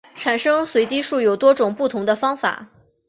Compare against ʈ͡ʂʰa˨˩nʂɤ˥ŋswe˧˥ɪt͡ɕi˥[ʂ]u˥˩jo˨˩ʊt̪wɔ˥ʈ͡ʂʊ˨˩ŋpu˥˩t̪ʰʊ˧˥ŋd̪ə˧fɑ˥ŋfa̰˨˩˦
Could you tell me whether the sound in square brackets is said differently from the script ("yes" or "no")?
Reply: no